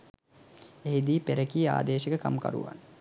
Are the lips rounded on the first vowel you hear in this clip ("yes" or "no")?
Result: no